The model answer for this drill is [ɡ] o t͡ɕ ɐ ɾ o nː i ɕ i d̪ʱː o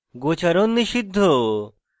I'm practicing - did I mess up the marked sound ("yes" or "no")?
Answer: no